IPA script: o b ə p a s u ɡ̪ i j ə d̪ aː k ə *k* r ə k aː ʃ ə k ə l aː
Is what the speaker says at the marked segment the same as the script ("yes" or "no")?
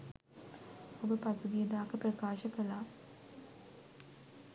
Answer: no